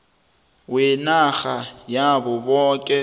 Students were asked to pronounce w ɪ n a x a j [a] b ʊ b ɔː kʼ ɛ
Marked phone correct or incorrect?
correct